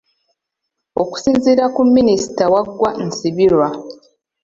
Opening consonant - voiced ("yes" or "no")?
no